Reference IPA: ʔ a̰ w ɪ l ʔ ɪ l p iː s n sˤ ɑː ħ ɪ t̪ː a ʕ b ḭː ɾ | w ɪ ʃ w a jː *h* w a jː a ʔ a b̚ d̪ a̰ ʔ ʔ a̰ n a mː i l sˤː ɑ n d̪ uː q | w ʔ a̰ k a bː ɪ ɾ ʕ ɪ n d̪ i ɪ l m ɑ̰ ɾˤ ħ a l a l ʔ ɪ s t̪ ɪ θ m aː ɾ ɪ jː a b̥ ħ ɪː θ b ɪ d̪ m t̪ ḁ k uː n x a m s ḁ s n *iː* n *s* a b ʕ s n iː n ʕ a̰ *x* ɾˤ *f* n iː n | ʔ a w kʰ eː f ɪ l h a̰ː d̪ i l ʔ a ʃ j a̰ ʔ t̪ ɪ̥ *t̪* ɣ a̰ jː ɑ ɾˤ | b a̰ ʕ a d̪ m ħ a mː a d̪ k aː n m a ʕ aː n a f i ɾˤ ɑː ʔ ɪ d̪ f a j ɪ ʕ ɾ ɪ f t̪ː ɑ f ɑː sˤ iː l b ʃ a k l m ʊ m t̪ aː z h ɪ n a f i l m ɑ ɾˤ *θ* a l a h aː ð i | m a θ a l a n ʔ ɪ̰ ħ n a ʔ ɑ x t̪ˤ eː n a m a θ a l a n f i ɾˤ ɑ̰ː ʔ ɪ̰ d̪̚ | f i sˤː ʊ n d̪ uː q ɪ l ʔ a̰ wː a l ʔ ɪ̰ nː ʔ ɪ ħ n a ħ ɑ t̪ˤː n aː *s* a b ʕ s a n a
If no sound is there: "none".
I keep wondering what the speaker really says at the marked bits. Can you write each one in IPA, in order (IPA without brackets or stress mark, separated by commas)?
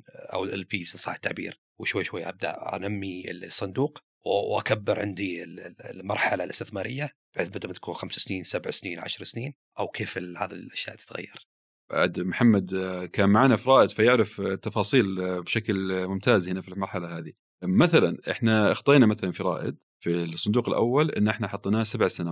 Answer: ʃ, iː, s, ʃ, s, t̪, ħ, s